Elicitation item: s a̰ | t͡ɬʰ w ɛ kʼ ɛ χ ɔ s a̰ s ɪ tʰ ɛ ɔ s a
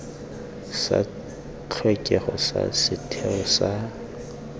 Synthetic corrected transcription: s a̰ | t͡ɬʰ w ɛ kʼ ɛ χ ɔ s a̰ s ɪ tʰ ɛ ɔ s a